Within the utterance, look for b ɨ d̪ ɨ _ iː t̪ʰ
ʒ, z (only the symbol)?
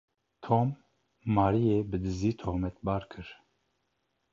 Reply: z